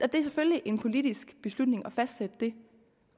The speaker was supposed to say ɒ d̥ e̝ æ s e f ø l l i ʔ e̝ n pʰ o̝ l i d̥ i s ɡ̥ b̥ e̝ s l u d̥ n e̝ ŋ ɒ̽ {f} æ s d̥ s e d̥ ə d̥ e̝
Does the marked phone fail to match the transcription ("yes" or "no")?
no